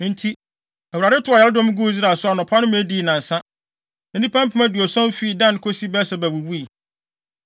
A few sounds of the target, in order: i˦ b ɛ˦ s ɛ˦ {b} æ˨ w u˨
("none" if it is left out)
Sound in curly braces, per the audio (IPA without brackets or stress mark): b